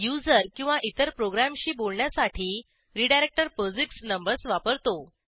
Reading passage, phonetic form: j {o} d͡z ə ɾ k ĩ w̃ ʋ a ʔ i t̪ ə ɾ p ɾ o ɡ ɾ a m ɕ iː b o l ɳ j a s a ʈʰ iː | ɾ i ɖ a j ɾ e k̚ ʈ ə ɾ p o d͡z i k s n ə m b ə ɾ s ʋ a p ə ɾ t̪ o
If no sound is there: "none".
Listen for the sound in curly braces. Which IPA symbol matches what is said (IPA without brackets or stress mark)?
u